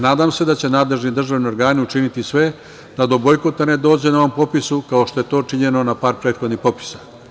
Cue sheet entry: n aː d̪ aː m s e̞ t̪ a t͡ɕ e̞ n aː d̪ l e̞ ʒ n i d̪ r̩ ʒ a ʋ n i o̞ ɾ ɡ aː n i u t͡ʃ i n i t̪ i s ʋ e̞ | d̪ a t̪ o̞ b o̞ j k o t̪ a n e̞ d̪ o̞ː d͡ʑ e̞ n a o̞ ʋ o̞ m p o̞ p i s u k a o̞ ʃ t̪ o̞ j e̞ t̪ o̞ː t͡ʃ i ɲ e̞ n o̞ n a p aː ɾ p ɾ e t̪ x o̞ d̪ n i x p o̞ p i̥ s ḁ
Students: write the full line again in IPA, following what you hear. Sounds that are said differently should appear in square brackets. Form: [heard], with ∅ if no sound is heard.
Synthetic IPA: n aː d̪ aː m s e̞ [d̪] a t͡ɕ e̞ n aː d̪ l e̞ ʒ n i d̪ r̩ ʒ a ʋ n i o̞ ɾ ɡ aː n i u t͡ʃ i n i t̪ i s ʋ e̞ | d̪ a [d̪] o̞ b o̞ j k o t̪ a n e̞ d̪ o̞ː d͡ʑ e̞ n a o̞ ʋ o̞ m p o̞ p i s u k a o̞ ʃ t̪ o̞ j e̞ t̪ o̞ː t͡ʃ i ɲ e̞ n o̞ n a p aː ɾ p ɾ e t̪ x o̞ d̪ n i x p o̞ p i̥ s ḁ